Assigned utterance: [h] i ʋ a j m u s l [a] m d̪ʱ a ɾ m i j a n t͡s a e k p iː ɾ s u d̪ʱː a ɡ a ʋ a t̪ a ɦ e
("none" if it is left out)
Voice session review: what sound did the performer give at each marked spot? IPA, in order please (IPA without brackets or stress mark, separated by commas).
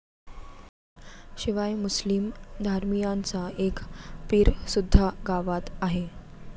ɕ, i